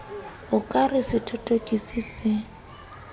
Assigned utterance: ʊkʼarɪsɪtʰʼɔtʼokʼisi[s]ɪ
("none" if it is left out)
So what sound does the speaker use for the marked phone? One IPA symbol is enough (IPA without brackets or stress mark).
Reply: s